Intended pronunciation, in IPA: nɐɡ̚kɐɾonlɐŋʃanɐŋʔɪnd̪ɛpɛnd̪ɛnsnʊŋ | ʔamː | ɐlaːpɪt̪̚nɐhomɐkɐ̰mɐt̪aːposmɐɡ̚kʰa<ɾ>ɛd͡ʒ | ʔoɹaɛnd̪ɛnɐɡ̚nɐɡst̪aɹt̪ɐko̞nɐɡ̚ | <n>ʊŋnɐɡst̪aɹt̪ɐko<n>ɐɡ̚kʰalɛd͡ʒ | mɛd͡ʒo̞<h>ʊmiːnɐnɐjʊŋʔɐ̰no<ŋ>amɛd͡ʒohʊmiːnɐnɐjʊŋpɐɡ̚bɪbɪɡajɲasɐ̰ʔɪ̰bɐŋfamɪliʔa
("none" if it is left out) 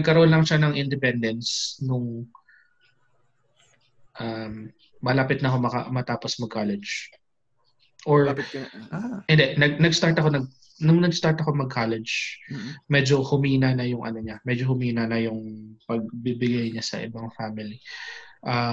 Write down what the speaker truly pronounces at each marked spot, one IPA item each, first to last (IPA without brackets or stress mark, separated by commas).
l, n, m, h, ɲ